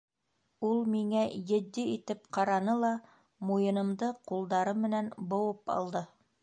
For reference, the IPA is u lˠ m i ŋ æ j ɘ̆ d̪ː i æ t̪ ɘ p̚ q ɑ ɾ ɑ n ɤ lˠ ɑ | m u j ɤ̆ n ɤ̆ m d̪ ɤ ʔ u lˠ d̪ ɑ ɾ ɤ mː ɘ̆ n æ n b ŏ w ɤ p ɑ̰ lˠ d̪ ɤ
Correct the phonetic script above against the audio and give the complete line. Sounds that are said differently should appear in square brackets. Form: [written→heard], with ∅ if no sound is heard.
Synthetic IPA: u lˠ m i ŋ æ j ɘ̆ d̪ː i [æ→i] t̪ ɘ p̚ q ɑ ɾ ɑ n ɤ lˠ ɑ | m u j ɤ̆ n ɤ̆ m d̪ ɤ [ʔ→q] u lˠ d̪ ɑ ɾ ɤ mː ɘ̆ n æ n b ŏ w ɤ p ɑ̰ lˠ d̪ ɤ